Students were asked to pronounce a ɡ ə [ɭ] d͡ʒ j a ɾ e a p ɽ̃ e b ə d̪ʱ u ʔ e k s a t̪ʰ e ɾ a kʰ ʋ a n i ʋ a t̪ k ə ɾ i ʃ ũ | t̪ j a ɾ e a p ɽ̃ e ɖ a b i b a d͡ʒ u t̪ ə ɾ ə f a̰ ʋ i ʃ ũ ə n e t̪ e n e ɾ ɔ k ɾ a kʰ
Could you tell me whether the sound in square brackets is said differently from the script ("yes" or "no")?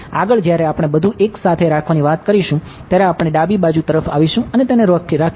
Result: no